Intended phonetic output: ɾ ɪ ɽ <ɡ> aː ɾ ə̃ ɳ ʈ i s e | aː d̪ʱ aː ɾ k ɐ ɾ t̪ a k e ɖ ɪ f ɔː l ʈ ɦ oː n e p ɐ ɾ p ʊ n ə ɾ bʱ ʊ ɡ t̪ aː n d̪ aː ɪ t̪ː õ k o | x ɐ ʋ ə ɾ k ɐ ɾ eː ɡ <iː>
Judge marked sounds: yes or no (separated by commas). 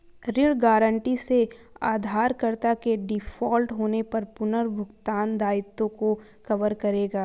yes, no